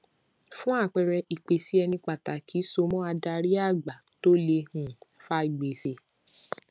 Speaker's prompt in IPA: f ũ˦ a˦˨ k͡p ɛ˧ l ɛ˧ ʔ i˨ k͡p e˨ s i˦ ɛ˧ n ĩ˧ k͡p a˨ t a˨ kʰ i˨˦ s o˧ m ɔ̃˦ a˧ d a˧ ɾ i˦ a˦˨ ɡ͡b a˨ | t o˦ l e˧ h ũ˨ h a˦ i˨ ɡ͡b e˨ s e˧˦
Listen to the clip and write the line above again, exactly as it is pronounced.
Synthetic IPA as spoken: f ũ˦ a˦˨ k͡p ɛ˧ ɾ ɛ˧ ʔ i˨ k͡p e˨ s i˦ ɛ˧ n ĩ˧ k͡p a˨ t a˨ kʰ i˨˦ s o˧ m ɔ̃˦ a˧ d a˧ ɾ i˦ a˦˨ ɡ͡b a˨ | t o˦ l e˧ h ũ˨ f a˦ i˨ ɡ͡b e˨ s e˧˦